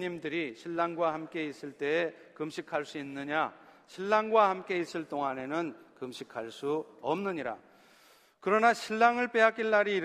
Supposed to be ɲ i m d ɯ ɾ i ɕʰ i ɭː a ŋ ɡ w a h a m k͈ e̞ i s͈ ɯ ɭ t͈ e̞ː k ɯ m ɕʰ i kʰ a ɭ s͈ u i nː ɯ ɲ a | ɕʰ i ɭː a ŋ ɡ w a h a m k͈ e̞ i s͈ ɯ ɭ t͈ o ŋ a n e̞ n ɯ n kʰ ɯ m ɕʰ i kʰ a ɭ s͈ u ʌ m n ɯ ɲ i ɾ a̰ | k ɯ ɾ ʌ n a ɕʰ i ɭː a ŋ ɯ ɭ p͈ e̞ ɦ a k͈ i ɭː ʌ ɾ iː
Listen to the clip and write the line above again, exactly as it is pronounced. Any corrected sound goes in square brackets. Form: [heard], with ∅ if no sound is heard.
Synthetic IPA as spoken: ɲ i m d ɯ ɾ i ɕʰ i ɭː a ŋ ɡ w a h a m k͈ e̞ i s͈ ɯ ɭ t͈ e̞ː k ɯ m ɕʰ i kʰ a ɭ s͈ u i nː ɯ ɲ a | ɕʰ i ɭː a ŋ ɡ w a h a m k͈ e̞ i s͈ ɯ ɭ t͈ o ŋ a n e̞ n ɯ n [k] ɯ m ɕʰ i kʰ a ɭ s͈ u ʌ m n ɯ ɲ i ɾ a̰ | k ɯ ɾ ʌ n a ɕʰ i ɭː a ŋ ɯ ɭ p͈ e̞ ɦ a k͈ i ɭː [a] ɾ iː